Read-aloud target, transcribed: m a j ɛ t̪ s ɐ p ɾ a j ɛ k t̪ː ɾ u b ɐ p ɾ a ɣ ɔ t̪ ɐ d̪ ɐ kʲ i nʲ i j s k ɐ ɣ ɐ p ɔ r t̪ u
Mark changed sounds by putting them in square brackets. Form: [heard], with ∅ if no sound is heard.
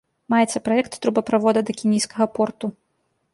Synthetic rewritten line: m a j ɛ t̪ s ɐ p ɾ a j ɛ k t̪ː ɾ u b ɐ p ɾ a [v] ɔ [d̪] ɐ d̪ ɐ kʲ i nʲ i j s k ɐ ɣ ɐ p ɔ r t̪ u